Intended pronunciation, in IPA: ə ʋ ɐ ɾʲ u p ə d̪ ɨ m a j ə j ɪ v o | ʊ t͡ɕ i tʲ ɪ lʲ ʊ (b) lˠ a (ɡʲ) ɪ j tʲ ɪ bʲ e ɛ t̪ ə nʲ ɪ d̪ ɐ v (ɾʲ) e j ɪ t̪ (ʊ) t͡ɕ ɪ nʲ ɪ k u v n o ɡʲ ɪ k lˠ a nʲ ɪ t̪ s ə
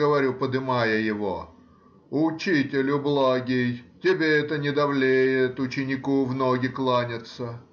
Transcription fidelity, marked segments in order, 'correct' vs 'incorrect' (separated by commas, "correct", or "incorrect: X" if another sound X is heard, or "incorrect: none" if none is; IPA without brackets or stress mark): correct, correct, incorrect: lʲ, correct